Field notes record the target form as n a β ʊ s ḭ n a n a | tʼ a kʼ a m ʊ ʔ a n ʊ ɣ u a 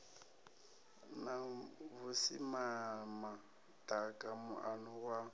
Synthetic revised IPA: n a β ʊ s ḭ m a m a | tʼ a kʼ a m ʊ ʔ a n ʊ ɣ w a